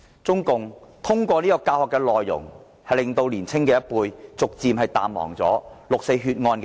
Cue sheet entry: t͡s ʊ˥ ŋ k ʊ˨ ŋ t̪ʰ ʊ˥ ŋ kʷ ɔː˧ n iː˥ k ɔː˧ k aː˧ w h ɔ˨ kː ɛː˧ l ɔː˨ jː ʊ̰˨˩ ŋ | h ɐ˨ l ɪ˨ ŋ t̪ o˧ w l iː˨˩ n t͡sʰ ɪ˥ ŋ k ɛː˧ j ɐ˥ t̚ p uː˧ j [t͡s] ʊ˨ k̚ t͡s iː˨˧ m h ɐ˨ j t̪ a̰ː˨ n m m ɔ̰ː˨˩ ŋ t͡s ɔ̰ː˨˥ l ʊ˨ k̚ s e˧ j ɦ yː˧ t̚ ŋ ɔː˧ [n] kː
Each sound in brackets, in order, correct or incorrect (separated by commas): correct, correct